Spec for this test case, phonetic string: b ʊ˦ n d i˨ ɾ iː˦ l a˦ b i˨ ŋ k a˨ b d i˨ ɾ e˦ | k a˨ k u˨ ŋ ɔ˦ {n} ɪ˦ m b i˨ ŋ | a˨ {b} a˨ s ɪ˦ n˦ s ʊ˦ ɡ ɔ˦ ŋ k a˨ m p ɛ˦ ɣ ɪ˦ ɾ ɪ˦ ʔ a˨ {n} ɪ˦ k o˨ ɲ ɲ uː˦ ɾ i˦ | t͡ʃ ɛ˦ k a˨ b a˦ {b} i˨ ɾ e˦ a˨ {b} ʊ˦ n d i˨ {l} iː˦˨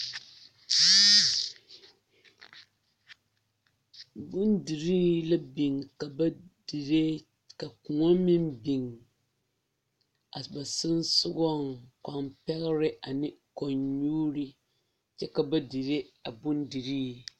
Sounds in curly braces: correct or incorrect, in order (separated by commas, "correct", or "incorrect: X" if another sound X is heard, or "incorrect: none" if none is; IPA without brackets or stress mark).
incorrect: m, correct, correct, incorrect: d, correct, incorrect: ɾ